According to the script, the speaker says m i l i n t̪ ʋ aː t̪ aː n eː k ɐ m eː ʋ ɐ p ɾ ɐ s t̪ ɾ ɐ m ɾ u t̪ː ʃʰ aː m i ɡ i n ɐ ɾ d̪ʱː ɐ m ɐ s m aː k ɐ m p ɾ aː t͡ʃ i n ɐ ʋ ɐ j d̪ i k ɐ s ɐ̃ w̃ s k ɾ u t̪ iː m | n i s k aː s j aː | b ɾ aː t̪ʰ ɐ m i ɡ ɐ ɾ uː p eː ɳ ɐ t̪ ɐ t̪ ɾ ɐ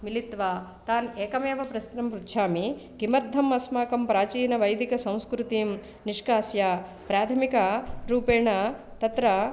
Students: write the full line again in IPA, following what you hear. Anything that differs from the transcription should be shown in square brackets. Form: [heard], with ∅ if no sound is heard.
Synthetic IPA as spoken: m i l i [∅] t̪ ʋ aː t̪ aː n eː k ɐ m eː ʋ ɐ p ɾ ɐ s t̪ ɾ ɐ m ɾ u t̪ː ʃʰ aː m i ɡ i [m] ɐ ɾ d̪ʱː ɐ m ɐ s m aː k ɐ m p ɾ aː t͡ʃ [iː] n ɐ ʋ ɐ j d̪ i k ɐ s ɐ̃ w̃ s k ɾ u t̪ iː m | n i [ʂ] k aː s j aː | [p] ɾ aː t̪ʰ ɐ m i [k] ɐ ɾ uː p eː ɳ ɐ t̪ ɐ t̪ ɾ ɐ